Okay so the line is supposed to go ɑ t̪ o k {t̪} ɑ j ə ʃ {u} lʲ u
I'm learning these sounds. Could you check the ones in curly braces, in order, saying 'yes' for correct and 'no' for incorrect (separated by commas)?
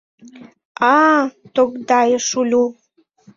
no, yes